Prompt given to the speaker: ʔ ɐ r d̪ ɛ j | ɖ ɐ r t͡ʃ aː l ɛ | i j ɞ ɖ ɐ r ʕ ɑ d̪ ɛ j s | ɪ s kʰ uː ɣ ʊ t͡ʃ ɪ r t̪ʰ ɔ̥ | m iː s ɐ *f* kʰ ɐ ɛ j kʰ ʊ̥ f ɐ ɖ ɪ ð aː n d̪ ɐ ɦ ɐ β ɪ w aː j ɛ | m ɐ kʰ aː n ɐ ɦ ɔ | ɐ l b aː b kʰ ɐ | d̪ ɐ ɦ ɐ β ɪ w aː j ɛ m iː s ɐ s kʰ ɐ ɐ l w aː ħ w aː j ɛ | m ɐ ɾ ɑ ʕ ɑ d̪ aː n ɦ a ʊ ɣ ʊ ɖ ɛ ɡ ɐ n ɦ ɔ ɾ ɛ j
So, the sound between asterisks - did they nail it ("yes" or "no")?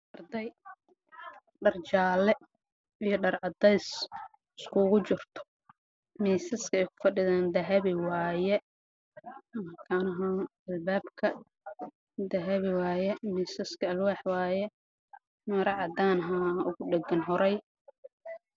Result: no